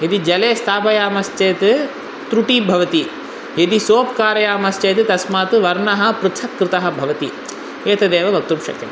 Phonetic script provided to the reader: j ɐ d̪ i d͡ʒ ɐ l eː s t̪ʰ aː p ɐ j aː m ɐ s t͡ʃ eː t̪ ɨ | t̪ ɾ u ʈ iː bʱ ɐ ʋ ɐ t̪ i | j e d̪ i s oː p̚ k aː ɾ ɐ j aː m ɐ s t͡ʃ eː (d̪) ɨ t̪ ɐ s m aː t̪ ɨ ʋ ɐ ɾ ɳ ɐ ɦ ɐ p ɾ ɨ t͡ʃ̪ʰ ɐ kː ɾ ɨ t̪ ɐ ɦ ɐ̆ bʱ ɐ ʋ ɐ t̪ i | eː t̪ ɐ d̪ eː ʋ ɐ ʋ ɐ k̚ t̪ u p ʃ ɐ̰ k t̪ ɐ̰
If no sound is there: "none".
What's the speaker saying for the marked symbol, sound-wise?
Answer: t̪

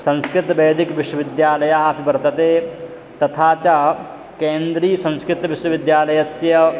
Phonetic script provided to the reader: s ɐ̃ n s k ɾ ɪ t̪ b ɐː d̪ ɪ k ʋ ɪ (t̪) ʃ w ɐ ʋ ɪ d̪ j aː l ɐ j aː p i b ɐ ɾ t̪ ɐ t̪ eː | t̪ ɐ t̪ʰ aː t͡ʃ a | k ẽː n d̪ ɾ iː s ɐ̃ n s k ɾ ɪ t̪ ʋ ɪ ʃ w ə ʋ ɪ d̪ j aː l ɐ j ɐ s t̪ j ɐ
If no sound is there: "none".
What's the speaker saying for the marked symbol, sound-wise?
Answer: none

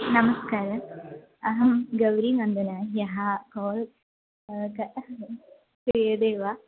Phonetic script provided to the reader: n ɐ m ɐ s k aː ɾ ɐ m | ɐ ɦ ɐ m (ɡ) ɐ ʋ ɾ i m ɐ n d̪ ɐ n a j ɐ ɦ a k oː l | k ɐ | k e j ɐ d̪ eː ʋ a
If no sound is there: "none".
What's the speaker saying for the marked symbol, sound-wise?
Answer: ɡ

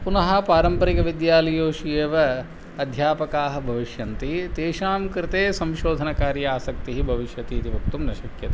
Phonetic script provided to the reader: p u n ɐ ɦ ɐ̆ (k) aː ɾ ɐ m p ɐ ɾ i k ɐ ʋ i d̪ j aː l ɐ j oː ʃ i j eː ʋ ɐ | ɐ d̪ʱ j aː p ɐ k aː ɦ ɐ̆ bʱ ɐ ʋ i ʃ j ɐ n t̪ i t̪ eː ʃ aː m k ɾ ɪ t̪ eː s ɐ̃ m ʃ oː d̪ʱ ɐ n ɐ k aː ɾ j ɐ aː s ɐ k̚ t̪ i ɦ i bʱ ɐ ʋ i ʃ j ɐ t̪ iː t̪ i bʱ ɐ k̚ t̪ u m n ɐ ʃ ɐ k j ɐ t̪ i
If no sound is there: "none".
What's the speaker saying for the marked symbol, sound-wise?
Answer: p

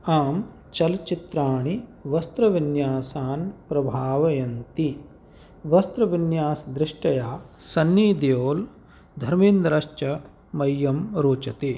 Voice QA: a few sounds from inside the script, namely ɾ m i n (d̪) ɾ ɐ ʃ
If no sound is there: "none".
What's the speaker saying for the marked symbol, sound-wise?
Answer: d̪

